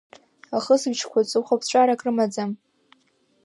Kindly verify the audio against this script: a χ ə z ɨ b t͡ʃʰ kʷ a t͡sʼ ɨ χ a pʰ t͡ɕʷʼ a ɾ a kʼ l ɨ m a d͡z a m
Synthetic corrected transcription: a χ ə s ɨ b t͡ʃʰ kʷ a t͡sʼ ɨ χ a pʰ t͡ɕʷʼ a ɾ a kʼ r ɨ m a d͡z a m